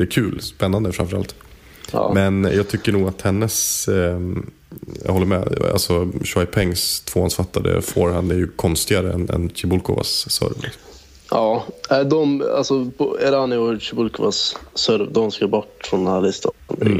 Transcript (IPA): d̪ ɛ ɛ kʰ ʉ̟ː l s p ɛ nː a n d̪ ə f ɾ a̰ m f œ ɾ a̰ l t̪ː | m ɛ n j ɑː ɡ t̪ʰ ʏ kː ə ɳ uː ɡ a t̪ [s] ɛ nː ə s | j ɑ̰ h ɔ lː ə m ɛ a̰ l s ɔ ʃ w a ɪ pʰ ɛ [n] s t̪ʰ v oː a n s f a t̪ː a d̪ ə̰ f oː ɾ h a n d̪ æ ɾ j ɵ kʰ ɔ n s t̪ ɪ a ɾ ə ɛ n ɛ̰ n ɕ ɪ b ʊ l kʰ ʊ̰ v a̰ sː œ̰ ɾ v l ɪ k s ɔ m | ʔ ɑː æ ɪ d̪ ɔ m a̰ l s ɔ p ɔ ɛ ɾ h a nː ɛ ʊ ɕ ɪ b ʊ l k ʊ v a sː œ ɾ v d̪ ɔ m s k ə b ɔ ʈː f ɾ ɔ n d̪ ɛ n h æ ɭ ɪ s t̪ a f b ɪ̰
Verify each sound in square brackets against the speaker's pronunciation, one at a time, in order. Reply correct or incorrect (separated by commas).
incorrect, incorrect